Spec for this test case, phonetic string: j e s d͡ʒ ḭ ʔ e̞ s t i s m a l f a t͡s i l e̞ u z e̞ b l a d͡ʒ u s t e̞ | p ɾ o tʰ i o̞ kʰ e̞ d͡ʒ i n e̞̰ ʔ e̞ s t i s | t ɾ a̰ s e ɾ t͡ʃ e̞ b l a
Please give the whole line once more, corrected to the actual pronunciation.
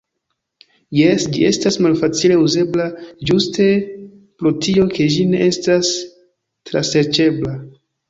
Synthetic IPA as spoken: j e s d͡ʒ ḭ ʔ e̞ s t a s m a l f a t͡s i l e̞ u z e̞ b l a d͡ʒ u s t e̞ | p ɾ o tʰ i o̞ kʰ e̞ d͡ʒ i n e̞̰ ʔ e̞ s t a s | t ɾ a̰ s e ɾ t͡ʃ e̞ b l a

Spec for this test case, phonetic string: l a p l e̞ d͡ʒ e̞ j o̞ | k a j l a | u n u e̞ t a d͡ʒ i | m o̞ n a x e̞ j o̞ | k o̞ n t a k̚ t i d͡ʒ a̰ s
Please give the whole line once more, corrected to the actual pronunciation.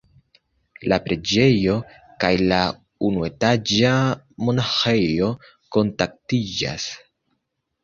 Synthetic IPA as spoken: l a p ɾ e̞ d͡ʒ e̞ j o̞ | k a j l a | u n u e̞ t a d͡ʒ a | m o̞ n a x e̞ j o̞ | k o̞ n t a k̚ t i d͡ʒ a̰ s

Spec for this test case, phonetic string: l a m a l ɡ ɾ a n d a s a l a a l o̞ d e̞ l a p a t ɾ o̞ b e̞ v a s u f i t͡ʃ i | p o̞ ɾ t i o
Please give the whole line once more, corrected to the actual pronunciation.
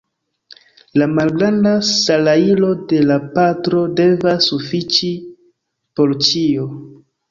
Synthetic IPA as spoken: l a m a l ɡ ɾ a n d a s a l a i l o̞ d e̞ l a p a t ɾ o̞ d e̞ v a s u f i t͡ʃ i | p o̞ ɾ t͡ʃ i o

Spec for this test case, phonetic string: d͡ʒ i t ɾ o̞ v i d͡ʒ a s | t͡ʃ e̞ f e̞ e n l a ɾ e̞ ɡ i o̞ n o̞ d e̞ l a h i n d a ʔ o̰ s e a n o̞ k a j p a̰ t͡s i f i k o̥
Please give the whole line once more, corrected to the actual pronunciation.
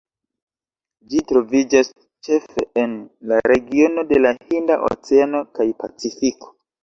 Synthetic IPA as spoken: d͡ʒ i t ɾ o̞ v i d͡ʒ a s | t͡ʃ e̞ f e̞ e n l a ɾ e̞ ɡ i o̞ n o̞ d e̞ l a h i n d a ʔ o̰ t͡s e a n o̞ k a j p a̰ t͡s i f i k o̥

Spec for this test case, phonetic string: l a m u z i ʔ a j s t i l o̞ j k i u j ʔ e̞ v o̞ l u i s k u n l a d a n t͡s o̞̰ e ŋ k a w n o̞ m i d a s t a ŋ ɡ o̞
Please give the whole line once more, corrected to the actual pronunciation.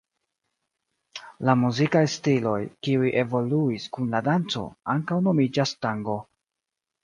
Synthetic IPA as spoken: l a m u z i k a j s t i l o̞ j k i u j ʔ e̞ v o̞ l u i s k u n l a d a n t͡s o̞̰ a ŋ k a w n o̞ m i d͡ʒ a s t a ŋ ɡ o̞

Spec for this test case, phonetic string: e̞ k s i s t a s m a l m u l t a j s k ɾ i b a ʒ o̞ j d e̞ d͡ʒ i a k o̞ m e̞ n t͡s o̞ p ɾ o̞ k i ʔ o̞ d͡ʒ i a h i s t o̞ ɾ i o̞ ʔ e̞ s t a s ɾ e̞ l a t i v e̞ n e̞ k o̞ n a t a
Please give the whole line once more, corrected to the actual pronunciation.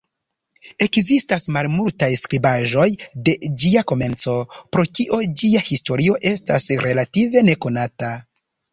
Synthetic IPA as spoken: e̞ k z i s t a s m a l m u l t a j s k ɾ i b a ʒ o̞ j d e̞ d͡ʒ i a k o̞ m e̞ n t͡s o̞ p ɾ o̞ k i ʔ o̞ d͡ʒ i a h i s t o̞ ɾ i o̞ ʔ e̞ s t a s ɾ e̞ l a t i v e̞ n e̞ k o̞ n a t a

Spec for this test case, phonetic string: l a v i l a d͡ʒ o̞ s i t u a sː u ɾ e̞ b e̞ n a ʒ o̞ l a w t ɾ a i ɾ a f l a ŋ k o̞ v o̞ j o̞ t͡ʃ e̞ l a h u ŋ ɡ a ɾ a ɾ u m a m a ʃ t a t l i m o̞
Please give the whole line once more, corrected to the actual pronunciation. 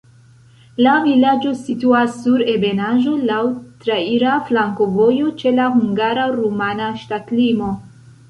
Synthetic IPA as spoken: l a v i l a d͡ʒ o̞ s i t u a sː u ɾ e̞ b e̞ n a ʒ o̞ l a w t ɾ a i ɾ a f l a ŋ k o̞ v o̞ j o̞ t͡ʃ e̞ l a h u ŋ ɡ a ɾ a ɾ u m a n a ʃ t a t l i m o̞

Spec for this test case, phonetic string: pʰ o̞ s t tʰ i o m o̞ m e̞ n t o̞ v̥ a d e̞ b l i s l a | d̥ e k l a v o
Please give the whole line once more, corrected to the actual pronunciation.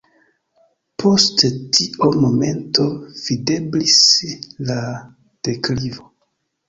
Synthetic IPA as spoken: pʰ o̞ s t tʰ i o m o̞ m e̞ n t o̞ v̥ i d e̞ b l i s l a | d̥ e k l i v o

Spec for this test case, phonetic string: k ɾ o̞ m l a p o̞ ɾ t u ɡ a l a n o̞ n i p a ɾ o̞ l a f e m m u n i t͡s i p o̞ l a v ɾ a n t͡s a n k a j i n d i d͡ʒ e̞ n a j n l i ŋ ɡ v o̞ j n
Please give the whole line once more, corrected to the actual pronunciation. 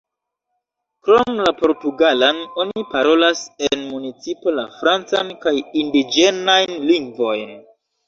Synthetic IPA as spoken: k ɾ o̞ m l a p o̞ ɾ t u ɡ a l a n o̞ n i p a ɾ o̞ l a s e n m u n i t͡s i p o̞ l a f ɾ a n t͡s a n k a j i n d i d͡ʒ e̞ n a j n l i ŋ ɡ v o̞ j n

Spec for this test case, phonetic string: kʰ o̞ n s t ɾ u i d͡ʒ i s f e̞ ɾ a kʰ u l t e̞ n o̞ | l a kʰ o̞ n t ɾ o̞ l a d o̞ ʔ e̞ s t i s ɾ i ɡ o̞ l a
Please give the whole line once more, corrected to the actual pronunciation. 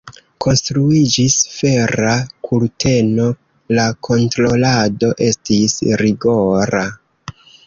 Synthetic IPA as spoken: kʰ o̞ n s t ɾ u i d͡ʒ i s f e̞ ɾ a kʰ u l t e̞ n o̞ | l a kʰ o̞ n t ɾ o̞ l a d o̞ ʔ e̞ s t i s ɾ i ɡ o̞ ɾ a

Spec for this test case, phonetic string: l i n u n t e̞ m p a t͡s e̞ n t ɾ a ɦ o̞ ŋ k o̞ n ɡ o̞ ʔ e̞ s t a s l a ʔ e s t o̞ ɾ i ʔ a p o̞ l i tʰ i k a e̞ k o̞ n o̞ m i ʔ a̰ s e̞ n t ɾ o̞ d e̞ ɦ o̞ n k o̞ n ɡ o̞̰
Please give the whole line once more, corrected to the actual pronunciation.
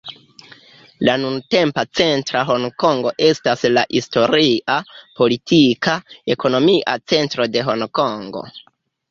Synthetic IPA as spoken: l a n u n t e̞ m p a t͡s e̞ n t ɾ a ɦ o̞ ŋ k o̞ ŋ ɡ o̞ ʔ e̞ s t a s l a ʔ i s t o̞ ɾ i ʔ a p o̞ l i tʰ i k a e̞ k o̞ n o̞ m i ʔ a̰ t͡s e̞ n t ɾ o̞ d e̞ ɦ o̞ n k o̞ ŋ ɡ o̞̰

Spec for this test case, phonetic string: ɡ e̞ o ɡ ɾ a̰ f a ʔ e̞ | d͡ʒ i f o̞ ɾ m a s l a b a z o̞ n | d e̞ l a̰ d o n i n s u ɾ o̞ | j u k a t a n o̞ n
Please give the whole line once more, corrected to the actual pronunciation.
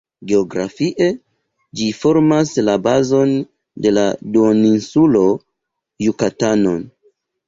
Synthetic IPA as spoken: ɡ e̞ o ɡ ɾ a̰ f i ʔ e̞ | d͡ʒ i f o̞ ɾ m a s l a b a z o̞ n | d e̞ l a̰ d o n i n s u l o̞ | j u k a t a n o̞ n

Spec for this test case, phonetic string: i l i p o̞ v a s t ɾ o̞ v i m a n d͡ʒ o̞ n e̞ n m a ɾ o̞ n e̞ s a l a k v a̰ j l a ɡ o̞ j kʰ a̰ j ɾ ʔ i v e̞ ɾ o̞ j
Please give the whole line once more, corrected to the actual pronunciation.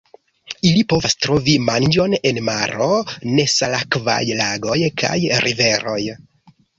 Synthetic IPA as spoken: i l i p o̞ v a s t ɾ o̞ v i m a n d͡ʒ o̞ n e̞ n m a ɾ o̞ n e̞ s a l a k v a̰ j l a ɡ o̞ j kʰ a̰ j ɾ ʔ i v e̞ ɾ o̞ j

